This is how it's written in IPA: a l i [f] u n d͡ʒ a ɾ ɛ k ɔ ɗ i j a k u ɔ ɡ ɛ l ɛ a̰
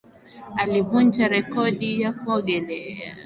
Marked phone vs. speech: incorrect: v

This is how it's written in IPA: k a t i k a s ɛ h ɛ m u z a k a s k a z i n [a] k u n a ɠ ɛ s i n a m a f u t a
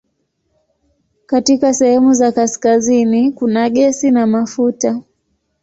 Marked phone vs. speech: incorrect: i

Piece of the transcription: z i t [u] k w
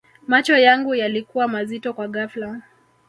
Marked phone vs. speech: incorrect: ɔ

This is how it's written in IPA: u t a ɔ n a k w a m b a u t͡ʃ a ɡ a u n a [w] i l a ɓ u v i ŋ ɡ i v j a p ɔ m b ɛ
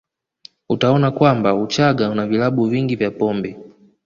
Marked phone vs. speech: incorrect: v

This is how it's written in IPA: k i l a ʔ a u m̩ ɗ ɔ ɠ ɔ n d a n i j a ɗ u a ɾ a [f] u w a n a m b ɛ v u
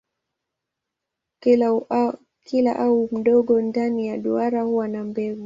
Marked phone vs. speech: incorrect: h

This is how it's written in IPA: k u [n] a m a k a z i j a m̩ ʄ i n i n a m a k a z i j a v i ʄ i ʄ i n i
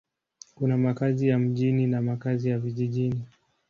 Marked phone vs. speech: correct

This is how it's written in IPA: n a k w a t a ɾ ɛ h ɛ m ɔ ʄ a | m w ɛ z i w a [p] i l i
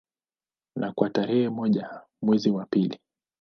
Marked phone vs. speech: correct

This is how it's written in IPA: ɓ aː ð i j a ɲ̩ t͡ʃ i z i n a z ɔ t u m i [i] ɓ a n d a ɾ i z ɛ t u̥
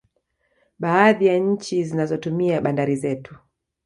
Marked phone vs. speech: incorrect: a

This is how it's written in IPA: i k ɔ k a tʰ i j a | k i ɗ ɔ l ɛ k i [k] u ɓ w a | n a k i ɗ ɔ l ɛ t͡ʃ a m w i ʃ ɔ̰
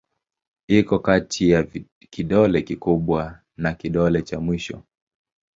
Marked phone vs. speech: correct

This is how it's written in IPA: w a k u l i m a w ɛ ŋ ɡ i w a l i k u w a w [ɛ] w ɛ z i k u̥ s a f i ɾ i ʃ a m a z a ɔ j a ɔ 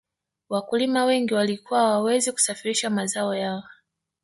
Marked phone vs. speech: incorrect: a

